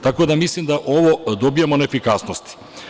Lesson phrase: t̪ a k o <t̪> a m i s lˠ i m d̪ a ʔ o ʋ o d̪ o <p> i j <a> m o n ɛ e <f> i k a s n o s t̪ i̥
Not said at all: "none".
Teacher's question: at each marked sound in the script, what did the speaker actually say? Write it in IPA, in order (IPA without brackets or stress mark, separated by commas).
d̪, b, a, f